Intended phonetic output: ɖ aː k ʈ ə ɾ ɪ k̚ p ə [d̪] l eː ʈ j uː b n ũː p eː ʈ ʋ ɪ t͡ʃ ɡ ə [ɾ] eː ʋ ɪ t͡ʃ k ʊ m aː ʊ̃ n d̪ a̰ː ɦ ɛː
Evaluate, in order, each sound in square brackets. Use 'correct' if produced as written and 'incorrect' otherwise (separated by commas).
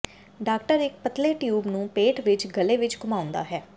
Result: incorrect, incorrect